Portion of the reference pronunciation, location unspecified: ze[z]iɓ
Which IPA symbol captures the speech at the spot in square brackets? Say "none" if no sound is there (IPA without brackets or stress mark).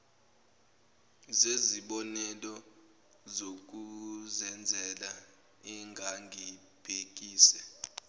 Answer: z